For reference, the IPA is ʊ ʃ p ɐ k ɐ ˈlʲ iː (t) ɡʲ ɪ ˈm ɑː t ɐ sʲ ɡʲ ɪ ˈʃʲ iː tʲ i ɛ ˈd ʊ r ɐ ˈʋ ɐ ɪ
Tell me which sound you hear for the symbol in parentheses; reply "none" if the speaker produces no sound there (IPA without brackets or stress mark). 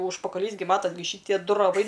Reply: s